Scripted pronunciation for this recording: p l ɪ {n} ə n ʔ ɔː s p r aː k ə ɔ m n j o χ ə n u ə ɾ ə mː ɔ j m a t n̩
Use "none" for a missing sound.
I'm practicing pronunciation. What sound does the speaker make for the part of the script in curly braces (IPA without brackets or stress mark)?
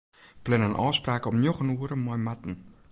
n